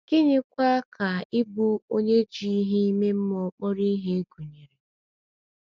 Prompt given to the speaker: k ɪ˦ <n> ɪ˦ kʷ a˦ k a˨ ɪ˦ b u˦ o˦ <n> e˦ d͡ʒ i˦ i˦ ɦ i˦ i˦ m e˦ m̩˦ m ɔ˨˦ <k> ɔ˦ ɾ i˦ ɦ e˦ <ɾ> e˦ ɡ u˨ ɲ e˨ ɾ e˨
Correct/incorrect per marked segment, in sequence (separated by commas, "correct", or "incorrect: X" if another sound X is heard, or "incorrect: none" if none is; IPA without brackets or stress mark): incorrect: ɲ, incorrect: ɲ, incorrect: k͡p, incorrect: none